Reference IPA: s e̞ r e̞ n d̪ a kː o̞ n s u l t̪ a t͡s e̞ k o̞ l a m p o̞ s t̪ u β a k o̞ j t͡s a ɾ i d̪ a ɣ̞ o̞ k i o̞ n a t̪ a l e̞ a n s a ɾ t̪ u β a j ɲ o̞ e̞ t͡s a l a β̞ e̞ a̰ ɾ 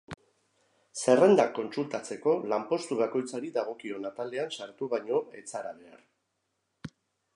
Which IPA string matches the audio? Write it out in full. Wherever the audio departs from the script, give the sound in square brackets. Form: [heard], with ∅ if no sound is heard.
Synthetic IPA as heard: s e̞ r e̞ n d̪ a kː o̞ n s u l t̪ a t͡s e̞ k o̞ l a m p o̞ s t̪ u β a k o̞ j t͡s a ɾ i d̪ a ɣ̞ o̞ k i o̞ n a t̪ a l e̞ a n s a ɾ t̪ u β a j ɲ o̞ e̞ t͡s a [ɾ] a β̞ e̞ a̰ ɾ